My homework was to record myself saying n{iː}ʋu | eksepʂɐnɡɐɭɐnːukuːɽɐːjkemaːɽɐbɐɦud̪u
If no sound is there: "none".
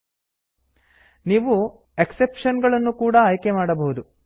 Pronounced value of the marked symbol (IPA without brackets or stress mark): iː